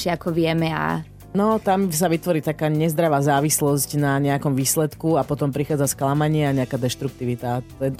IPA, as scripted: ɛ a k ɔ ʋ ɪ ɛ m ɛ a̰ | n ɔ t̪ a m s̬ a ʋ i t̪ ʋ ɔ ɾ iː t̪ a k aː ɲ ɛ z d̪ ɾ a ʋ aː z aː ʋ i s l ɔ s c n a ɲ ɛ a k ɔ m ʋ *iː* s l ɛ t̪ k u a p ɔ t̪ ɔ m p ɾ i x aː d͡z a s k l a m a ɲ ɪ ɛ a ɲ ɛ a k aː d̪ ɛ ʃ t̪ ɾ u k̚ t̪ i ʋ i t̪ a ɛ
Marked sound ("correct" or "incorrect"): correct